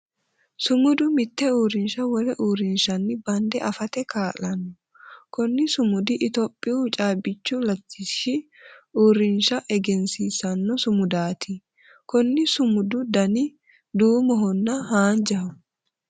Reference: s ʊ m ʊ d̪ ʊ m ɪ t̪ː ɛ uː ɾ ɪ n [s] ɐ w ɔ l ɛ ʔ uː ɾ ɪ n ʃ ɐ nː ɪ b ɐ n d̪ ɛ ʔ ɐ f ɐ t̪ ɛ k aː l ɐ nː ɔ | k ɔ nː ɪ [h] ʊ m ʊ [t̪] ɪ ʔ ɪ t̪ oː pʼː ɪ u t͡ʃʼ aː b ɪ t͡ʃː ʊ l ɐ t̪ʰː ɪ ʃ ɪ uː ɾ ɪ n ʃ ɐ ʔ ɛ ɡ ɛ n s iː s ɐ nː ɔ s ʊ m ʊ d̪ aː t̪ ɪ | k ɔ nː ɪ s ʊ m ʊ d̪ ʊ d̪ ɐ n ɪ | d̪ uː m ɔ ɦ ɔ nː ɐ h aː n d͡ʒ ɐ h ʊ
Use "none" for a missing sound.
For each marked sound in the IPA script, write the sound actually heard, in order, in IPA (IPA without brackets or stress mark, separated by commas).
ʃ, s, d̪